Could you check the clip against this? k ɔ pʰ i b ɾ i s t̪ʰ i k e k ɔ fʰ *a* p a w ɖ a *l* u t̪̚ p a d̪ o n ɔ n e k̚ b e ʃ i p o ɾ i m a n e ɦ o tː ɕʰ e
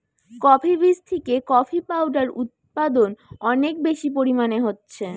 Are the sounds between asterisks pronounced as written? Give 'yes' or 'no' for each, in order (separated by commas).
no, no